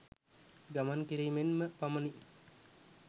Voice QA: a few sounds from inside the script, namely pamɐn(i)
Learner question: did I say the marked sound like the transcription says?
yes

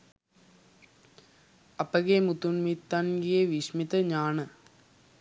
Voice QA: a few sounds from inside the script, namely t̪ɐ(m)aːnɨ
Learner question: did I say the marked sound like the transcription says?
no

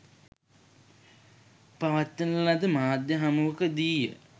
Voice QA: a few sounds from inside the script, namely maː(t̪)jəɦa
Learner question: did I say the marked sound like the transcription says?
no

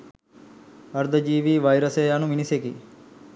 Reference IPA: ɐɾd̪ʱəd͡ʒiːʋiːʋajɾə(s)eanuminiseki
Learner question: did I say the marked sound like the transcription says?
yes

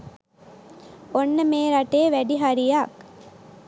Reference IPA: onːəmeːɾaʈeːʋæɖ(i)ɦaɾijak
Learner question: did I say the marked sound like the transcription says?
yes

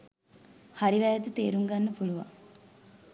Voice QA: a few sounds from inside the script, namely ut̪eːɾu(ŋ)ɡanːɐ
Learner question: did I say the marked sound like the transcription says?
yes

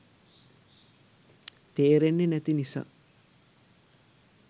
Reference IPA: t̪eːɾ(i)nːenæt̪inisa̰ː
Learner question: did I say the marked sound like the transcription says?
no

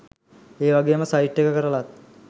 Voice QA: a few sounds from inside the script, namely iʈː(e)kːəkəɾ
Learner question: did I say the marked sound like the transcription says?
yes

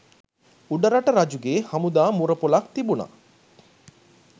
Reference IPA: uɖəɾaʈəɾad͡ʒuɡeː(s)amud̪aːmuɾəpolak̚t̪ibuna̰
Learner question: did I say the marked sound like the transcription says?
no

